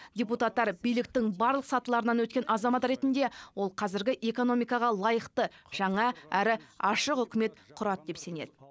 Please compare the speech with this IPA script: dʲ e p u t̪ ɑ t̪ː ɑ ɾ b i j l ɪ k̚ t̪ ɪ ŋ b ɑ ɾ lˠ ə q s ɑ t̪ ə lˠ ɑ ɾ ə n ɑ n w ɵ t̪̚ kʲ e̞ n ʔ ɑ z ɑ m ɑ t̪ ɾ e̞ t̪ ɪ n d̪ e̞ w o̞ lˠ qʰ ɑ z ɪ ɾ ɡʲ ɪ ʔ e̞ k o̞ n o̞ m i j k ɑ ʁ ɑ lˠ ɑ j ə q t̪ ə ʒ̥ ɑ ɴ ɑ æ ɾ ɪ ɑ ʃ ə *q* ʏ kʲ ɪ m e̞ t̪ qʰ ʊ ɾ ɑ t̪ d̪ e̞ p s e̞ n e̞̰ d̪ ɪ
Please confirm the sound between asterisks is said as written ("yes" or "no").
yes